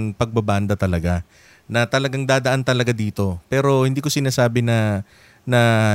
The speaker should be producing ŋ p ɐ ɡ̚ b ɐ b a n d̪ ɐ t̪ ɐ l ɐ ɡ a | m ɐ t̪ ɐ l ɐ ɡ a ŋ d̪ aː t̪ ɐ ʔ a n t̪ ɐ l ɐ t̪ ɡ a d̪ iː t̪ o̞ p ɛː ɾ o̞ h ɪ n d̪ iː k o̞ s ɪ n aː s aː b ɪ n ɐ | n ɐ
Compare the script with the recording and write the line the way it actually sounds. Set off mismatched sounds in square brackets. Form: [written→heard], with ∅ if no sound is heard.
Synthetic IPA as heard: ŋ p ɐ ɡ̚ b ɐ b a n d̪ ɐ t̪ ɐ l ɐ ɡ a | [m→n] ɐ t̪ ɐ l ɐ ɡ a ŋ d̪ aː [t̪→d̪] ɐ ʔ a n t̪ ɐ l ɐ [t̪→∅] ɡ a d̪ iː t̪ o̞ p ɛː ɾ o̞ h ɪ n d̪ iː k o̞ s ɪ n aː s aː b ɪ n ɐ | n ɐ